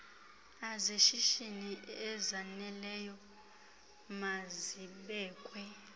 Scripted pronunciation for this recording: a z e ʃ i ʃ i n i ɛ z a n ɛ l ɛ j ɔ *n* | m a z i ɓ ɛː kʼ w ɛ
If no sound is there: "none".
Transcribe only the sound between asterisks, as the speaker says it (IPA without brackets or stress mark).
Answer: none